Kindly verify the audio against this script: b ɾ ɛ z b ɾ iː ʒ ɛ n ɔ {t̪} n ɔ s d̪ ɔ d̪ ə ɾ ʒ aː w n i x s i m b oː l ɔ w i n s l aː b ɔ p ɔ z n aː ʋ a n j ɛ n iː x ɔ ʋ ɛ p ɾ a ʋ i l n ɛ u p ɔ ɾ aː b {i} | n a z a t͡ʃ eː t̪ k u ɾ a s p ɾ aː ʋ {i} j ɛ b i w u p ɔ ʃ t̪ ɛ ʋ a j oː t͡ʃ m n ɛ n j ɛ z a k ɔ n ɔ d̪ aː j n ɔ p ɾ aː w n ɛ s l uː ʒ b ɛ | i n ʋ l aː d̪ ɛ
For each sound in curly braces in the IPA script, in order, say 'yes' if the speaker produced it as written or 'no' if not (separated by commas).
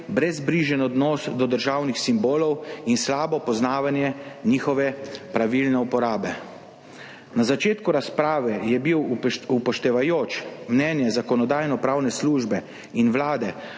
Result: no, no, no